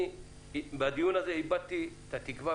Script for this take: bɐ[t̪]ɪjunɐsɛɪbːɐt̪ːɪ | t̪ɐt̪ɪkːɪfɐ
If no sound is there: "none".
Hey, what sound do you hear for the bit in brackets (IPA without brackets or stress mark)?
d̪